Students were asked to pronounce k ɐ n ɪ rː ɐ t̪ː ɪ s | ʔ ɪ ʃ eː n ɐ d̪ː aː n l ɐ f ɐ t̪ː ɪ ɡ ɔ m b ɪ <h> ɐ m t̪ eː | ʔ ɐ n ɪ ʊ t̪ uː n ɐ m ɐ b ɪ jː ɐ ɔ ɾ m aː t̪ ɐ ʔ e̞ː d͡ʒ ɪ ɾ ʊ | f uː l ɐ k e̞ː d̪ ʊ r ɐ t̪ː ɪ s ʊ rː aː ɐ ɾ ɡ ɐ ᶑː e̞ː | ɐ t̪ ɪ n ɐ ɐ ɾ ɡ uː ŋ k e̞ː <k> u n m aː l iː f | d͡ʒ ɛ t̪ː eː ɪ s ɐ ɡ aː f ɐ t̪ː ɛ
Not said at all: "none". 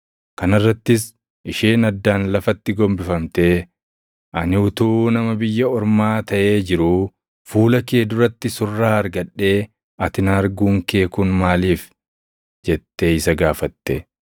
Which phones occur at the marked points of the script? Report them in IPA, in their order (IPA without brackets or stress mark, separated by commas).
f, k